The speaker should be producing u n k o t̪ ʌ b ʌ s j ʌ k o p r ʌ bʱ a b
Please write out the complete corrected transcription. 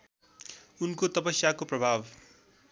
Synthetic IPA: u n k o t̪ ʌ p ʌ s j a k o p r ʌ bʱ a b